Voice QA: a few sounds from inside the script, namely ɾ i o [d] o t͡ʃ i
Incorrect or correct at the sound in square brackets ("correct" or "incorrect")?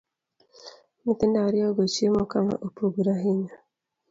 incorrect